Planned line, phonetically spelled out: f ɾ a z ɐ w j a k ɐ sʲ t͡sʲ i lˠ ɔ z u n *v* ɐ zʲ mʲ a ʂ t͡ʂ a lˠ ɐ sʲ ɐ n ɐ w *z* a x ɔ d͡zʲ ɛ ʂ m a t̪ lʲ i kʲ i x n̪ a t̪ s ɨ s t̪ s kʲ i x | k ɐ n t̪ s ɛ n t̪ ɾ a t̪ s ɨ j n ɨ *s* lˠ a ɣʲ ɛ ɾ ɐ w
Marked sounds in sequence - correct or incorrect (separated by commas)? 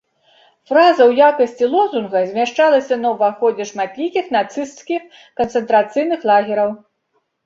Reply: incorrect, incorrect, incorrect